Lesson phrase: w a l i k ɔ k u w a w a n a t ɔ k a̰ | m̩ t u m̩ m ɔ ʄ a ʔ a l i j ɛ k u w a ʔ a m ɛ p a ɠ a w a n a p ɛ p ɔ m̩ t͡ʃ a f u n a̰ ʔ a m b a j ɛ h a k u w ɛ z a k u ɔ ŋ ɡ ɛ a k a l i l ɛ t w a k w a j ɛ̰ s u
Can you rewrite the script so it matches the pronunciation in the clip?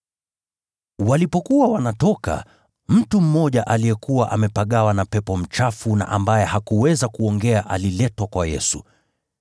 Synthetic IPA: w a l i p ɔ k u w a w a n a t ɔ k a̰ | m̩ t u m̩ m ɔ ʄ a ʔ a l i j ɛ k u w a ʔ a m ɛ p a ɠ a w a n a p ɛ p ɔ m̩ t͡ʃ a f u n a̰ ʔ a m b a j ɛ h a k u w ɛ z a k u ɔ ŋ ɡ ɛ a ʔ a l i l ɛ t w a k w a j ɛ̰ s u